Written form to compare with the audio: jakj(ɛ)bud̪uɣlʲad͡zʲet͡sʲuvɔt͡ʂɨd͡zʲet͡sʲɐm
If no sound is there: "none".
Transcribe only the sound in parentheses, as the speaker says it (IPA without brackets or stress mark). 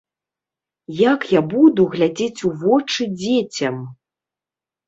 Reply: a